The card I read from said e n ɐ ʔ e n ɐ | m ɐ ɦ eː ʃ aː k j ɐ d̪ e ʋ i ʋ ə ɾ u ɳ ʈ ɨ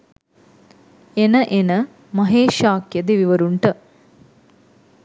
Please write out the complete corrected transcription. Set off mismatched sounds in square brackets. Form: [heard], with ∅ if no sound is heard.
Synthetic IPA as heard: e n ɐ ʔ e n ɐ | m ɐ ɦ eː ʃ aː k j ɐ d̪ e ʋ i ʋ [ɐ] ɾ u ɳ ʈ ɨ

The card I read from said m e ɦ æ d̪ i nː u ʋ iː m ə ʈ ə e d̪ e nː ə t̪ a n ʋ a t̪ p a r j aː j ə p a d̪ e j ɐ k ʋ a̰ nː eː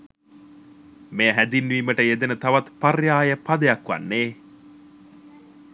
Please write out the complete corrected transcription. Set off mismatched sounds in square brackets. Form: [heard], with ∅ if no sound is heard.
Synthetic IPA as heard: m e ɦ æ d̪ i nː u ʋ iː m ə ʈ ə e d̪ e [n] ə t̪ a [∅] ʋ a t̪ p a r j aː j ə p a d̪ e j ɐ k ʋ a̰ nː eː

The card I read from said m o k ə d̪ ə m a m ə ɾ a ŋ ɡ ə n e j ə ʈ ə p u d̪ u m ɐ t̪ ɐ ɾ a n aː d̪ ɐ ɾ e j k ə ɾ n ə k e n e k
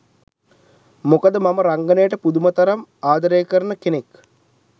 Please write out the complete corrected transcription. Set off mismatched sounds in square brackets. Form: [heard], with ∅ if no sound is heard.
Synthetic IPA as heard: m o k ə d̪ ə m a m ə ɾ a ŋ ɡ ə n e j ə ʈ ə p u d̪ u m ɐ t̪ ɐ ɾ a [m] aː d̪ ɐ ɾ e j k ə ɾ n ə k e n e k

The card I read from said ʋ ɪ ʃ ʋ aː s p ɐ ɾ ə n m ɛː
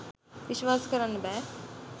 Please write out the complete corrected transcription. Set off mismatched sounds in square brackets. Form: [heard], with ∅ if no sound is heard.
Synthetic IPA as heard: ʋ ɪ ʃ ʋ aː s [k] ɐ ɾ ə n [b] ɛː

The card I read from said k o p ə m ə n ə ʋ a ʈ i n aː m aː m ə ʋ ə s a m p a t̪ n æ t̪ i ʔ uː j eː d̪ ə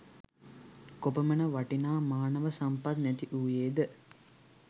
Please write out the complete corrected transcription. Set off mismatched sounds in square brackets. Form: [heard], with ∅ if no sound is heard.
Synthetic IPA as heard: k o p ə m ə n ə ʋ a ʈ i n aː m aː [n] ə ʋ ə s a m p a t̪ n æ t̪ i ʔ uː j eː d̪ ə

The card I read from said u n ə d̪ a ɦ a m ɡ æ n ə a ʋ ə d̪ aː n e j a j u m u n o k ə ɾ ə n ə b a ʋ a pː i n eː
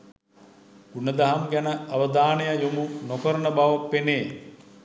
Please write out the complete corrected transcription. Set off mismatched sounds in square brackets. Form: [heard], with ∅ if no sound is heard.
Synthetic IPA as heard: u n ə d̪ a ɦ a m ɡ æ n ə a ʋ ə d̪ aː n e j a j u m u n o k ə ɾ ə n ə b a ʋ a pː [e] n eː

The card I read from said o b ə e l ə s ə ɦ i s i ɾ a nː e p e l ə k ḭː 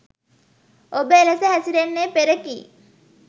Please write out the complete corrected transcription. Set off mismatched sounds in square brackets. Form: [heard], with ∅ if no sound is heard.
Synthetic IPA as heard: o b ə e l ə s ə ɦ [æ] s i ɾ [e] nː e p e [ɾ] ə k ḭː

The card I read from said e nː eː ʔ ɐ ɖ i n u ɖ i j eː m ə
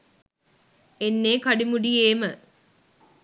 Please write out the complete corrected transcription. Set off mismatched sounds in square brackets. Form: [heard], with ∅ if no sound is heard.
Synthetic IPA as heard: e nː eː [k] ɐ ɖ i [m] u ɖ i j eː m ə

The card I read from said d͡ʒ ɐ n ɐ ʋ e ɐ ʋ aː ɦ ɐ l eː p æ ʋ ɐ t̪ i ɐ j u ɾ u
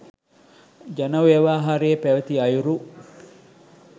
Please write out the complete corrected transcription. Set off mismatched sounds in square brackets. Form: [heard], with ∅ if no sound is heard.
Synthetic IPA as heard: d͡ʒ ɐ n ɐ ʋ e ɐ ʋ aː ɦ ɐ [ɾ] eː p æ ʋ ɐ t̪ i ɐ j u ɾ u

